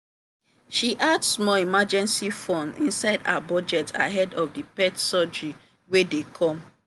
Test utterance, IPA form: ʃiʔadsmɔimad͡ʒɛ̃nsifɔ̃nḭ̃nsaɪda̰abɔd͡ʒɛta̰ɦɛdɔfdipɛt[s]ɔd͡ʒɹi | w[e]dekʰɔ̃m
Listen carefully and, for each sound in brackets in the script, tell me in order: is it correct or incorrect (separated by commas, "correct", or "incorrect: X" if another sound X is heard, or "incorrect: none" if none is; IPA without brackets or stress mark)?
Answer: correct, correct